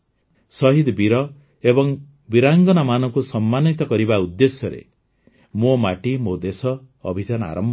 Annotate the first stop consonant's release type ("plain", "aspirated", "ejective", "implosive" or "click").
plain